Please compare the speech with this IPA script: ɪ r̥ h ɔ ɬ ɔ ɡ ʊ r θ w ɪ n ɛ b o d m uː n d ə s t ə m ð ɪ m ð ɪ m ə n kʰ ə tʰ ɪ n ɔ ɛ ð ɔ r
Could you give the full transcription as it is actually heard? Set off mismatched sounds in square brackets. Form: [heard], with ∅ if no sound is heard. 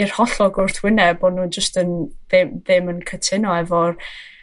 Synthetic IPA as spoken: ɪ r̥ h ɔ ɬ ɔ ɡ ʊ r θ w ɪ n ɛ b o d [n] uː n [d͡ʒ] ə s t ə [n] ð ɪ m ð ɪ m ə n kʰ ə tʰ ɪ n ɔ ɛ [v] ɔ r